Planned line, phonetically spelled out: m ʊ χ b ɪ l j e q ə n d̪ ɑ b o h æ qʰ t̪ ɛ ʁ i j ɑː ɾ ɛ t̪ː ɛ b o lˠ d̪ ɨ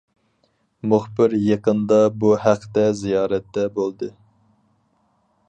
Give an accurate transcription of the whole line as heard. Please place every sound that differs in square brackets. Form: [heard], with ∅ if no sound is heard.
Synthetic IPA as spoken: m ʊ χ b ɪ [ɾ] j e q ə n d̪ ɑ b [u] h æ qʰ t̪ ɛ [z] i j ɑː ɾ ɛ t̪ː ɛ b o lˠ d̪ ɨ